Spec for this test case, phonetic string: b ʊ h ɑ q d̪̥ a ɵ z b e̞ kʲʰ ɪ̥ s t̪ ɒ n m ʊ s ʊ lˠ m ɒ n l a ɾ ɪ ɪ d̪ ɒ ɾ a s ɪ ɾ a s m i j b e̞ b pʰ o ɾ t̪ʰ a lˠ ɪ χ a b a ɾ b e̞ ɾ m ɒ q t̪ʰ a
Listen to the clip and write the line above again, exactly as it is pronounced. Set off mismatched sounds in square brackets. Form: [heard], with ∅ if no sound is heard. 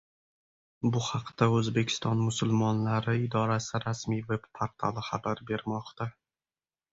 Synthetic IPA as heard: b ʊ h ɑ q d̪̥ a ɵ z b e̞ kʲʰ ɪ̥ s t̪ ɒ n m ʊ s ʊ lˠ m ɒ n l a ɾ ɪ ɪ d̪ ɒ ɾ a s ɪ ɾ a s m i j [v] e̞ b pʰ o ɾ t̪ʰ a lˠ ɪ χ a b a ɾ b e̞ ɾ m ɒ q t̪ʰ a